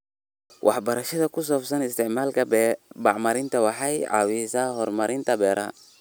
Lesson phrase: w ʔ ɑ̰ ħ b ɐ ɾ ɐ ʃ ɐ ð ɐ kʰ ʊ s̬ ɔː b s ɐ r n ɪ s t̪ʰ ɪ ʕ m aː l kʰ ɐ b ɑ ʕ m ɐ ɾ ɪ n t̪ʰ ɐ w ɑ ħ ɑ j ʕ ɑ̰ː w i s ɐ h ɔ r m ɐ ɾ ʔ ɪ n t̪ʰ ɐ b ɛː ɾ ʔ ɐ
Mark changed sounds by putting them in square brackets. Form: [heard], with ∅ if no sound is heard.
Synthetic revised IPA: w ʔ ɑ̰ ħ b ɐ ɾ ɐ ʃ ɐ ð ɐ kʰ ʊ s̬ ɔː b s ɐ [∅] n ɪ s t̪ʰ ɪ ʕ m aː l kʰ ɐ b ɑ ʕ m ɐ ɾ ɪ n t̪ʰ ɐ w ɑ ħ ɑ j ʕ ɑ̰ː w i s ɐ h ɔ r m ɐ ɾ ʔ ɪ n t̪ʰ ɐ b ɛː ɾ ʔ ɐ